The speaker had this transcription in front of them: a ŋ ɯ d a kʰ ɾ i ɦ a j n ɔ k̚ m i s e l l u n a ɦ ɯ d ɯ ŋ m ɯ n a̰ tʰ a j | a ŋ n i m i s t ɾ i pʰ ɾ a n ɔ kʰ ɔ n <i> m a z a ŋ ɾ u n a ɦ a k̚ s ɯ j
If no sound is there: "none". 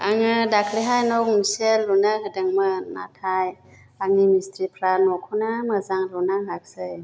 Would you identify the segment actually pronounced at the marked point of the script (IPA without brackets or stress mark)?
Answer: a